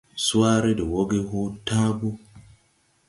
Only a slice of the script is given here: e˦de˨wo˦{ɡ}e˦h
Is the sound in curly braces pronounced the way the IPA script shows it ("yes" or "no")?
yes